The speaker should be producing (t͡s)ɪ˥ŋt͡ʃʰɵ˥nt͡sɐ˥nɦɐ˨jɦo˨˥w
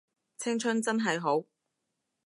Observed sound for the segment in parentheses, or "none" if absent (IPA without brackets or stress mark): t͡sʰ